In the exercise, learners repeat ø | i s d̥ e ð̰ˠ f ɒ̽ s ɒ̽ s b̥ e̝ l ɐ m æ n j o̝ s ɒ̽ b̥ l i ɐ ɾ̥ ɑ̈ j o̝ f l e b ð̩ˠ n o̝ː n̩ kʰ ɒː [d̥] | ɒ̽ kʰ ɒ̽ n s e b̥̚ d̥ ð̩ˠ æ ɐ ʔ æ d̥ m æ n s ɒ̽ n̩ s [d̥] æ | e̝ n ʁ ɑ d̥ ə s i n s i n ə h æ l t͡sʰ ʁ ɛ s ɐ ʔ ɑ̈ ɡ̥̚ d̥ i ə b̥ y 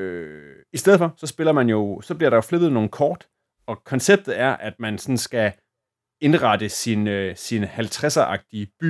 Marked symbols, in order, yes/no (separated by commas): yes, no